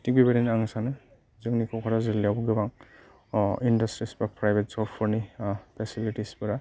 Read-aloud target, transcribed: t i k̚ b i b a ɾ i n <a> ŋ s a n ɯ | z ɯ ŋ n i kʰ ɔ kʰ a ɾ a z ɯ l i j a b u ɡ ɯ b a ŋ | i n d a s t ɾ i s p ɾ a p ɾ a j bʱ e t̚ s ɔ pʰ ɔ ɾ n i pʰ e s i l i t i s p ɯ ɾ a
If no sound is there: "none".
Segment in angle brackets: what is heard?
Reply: a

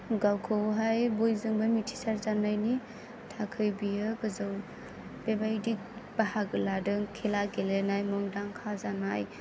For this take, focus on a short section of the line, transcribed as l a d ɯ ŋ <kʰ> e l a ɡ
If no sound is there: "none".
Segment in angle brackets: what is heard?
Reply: kʰ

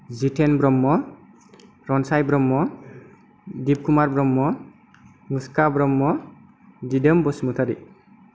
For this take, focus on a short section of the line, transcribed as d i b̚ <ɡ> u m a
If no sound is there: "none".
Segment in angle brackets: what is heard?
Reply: k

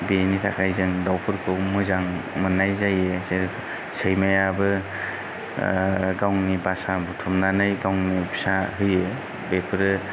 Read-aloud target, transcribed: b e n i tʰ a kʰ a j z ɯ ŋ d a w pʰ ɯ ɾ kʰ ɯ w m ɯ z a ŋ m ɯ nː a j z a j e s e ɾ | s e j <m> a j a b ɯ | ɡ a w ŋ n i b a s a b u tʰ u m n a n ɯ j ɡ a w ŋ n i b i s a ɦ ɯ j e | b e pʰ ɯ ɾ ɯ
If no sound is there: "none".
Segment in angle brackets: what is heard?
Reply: m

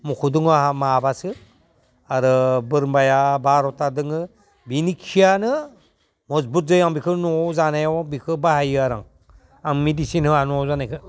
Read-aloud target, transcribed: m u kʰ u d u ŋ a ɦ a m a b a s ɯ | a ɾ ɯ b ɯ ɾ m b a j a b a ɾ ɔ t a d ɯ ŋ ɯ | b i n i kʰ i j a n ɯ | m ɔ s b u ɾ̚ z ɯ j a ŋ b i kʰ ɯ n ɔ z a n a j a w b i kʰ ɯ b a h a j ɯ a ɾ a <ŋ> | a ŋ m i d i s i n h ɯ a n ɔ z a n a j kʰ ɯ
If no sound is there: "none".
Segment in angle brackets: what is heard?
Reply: ŋ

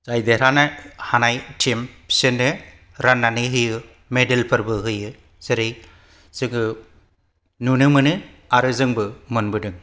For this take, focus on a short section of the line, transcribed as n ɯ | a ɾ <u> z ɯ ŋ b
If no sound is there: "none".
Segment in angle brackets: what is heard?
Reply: ɯ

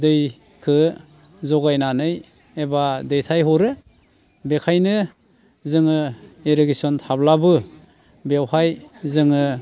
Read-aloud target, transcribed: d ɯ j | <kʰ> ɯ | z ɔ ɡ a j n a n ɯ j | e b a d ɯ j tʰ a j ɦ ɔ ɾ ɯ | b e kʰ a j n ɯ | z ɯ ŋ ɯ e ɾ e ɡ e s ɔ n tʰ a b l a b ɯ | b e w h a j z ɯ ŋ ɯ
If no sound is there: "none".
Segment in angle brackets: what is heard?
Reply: kʰ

